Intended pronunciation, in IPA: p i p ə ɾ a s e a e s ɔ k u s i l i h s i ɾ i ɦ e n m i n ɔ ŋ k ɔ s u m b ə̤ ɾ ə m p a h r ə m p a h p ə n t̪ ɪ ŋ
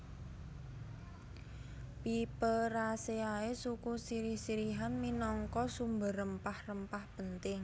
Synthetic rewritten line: p i p ə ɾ a s e a e s u k u s i ɾ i h s i ɾ i ɦ a n m i n ɔ ŋ k ɔ s u m b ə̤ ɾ ə m p a h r ə m p a h p ə n t̪ ɪ ŋ